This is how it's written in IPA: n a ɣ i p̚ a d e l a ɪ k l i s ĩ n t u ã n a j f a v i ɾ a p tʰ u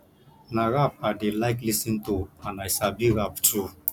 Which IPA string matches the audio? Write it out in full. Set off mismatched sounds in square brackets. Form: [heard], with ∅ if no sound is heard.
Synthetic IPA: n a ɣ [a] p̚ a d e l a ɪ k l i s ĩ n t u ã n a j [s] a [b] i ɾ a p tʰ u